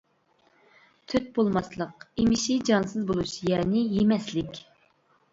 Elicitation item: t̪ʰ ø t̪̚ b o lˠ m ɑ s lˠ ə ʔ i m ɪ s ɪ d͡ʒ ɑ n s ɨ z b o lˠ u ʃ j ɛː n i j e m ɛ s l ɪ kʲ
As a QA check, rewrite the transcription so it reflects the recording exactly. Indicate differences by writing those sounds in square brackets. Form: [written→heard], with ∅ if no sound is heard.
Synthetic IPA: t̪ʰ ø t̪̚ b o lˠ m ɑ s lˠ ə [ʔ→q] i m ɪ [s→ʃ] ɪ d͡ʒ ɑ n s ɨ z b o lˠ u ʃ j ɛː n [i→ɪ] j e m ɛ s l ɪ kʲ